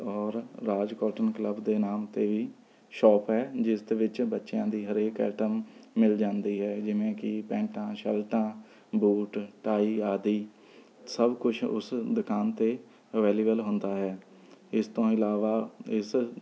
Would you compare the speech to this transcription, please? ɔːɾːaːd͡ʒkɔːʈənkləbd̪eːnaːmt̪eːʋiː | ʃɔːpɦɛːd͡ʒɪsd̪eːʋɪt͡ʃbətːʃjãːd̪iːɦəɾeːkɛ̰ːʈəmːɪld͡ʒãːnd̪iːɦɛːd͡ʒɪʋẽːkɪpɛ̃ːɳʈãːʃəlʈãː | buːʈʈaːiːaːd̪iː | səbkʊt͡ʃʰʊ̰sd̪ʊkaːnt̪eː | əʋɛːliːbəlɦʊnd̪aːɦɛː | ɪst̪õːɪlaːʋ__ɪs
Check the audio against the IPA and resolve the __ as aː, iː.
aː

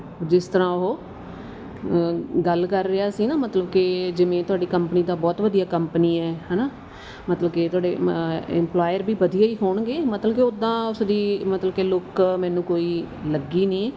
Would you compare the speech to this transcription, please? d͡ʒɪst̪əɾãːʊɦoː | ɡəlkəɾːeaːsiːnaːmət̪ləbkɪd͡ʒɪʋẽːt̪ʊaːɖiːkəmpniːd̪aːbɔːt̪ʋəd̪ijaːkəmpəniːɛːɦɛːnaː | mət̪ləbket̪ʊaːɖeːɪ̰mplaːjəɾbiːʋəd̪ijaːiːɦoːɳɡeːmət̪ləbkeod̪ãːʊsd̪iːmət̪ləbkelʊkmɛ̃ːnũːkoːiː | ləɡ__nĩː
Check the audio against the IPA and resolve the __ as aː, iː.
iː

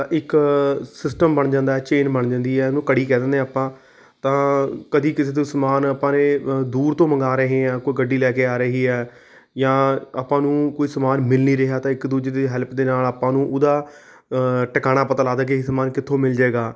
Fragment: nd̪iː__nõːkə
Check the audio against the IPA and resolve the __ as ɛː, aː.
ɛː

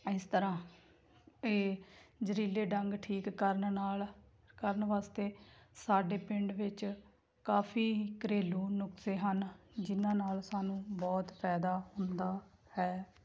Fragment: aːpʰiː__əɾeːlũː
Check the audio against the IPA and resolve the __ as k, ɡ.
k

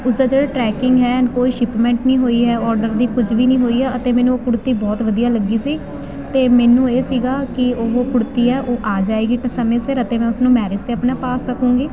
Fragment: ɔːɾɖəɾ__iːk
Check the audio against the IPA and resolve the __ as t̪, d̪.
d̪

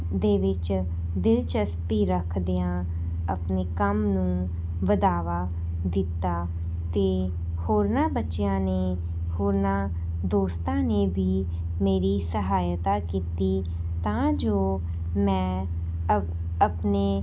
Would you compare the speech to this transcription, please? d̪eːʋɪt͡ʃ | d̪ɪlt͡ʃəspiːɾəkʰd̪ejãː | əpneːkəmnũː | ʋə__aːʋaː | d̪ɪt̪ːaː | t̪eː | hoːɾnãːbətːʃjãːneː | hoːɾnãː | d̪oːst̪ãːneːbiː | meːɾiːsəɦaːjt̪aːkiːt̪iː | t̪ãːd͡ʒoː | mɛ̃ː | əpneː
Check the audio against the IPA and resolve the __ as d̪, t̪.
d̪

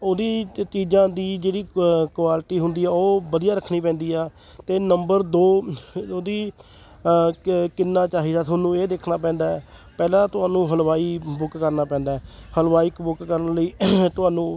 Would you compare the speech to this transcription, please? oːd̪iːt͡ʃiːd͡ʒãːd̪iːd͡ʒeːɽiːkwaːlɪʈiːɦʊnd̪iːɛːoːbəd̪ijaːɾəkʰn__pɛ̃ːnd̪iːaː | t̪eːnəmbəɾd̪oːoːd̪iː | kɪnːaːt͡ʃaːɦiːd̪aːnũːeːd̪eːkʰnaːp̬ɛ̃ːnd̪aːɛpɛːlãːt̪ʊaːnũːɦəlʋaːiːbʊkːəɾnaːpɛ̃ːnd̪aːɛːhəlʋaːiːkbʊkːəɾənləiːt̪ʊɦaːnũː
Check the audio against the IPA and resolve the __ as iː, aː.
iː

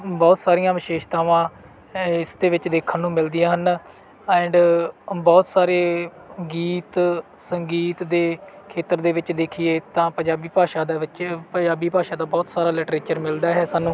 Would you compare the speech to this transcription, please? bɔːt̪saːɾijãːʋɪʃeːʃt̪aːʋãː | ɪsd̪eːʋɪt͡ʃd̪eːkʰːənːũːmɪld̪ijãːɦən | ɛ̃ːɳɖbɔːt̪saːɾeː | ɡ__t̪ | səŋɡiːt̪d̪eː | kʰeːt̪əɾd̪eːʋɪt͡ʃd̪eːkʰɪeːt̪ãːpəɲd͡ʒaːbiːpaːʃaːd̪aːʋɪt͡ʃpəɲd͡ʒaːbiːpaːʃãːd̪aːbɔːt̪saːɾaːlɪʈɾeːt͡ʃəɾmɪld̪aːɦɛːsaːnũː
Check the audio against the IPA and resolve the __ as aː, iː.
iː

